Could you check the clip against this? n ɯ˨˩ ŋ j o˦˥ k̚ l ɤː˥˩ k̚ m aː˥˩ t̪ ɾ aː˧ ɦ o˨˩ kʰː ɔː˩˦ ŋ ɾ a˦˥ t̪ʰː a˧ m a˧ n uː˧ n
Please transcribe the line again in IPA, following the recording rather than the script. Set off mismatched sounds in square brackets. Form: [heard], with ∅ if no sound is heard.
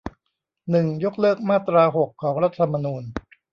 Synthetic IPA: n ɯ˨˩ ŋ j o˦˥ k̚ l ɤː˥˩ k̚ m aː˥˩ t̪ ɾ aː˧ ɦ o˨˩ kʰː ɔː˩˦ ŋ ɾ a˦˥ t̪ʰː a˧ m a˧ n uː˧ n

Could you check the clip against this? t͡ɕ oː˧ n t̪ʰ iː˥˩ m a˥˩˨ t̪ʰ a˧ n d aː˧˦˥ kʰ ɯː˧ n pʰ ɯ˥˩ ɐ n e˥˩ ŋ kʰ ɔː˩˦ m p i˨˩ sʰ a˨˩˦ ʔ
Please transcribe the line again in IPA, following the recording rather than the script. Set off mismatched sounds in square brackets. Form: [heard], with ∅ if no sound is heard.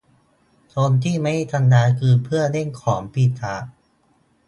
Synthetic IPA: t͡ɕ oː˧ n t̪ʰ iː˥˩ m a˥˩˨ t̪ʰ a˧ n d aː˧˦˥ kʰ ɯː˧ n pʰ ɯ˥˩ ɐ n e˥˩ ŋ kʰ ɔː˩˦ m p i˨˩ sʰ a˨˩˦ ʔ

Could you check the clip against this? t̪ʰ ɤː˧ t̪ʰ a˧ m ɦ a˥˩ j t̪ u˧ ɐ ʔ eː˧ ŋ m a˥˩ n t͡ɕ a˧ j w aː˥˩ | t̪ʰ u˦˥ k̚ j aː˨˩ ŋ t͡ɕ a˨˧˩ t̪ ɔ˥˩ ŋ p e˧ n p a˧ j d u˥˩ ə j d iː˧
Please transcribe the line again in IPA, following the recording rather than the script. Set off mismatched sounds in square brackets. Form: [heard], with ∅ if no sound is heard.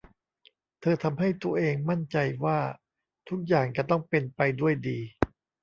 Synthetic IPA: t̪ʰ ɤː˧ t̪ʰ a˧ m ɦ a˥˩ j t̪ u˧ ɐ ʔ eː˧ ŋ m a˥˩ n t͡ɕ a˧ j w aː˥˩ | t̪ʰ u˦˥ k̚ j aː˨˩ ŋ t͡ɕ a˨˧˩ t̪ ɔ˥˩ ŋ p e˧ n p a˧ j d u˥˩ ə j d iː˧

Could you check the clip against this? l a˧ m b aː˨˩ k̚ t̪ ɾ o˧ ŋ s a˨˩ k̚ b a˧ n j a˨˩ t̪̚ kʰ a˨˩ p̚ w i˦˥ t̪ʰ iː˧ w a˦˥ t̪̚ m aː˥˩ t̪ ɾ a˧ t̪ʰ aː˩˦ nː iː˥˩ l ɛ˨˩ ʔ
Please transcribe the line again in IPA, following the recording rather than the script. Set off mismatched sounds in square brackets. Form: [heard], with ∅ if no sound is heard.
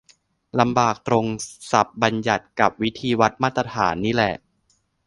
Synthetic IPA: l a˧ m b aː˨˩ k̚ t̪ ɾ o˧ ŋ s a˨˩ [p̚] b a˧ n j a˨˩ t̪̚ [k] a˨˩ p̚ w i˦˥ t̪ʰ iː˧ w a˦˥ t̪̚ m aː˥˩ t̪ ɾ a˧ t̪ʰ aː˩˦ nː [iː˦˥] l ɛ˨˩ ʔ

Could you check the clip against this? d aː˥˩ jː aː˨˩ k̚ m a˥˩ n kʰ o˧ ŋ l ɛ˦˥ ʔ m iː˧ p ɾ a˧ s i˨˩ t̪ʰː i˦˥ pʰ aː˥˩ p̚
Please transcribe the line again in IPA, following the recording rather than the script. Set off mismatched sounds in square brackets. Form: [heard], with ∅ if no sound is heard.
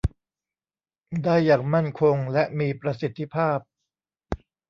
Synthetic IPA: d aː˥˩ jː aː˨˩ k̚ m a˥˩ n kʰ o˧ ŋ l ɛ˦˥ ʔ m iː˧ p ɾ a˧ s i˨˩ t̪ʰː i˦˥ pʰ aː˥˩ p̚

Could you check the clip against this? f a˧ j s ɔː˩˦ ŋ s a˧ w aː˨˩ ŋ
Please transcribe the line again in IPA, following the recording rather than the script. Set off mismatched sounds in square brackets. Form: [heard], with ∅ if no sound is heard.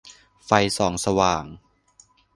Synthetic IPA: f a˧ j s ɔː˩˦ ŋ s a˧ w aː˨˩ ŋ

